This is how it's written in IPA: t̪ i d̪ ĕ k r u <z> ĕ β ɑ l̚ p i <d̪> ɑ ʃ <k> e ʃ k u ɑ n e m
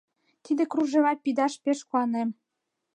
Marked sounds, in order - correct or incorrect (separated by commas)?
incorrect, correct, incorrect